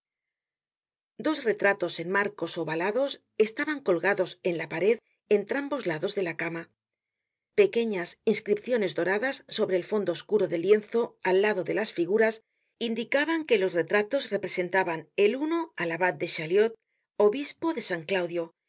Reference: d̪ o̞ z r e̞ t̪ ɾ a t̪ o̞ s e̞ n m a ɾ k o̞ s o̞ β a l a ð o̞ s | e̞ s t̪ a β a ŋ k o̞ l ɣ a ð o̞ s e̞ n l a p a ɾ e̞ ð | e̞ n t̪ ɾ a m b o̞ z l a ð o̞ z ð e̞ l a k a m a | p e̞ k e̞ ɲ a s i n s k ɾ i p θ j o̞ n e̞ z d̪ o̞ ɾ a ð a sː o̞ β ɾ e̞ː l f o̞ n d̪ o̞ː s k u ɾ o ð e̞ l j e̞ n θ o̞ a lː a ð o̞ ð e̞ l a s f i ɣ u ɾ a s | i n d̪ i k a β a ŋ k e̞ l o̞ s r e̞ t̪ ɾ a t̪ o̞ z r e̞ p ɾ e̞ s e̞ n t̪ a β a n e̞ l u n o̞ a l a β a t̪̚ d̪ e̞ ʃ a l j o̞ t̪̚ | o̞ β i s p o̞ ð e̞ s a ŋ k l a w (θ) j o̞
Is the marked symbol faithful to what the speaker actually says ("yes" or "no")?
no